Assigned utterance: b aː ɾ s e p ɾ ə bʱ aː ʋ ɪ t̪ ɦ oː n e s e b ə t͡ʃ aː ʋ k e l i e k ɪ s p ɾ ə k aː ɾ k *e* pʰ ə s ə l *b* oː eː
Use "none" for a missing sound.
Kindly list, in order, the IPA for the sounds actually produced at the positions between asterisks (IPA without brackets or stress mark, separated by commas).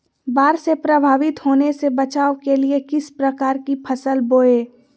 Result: i, b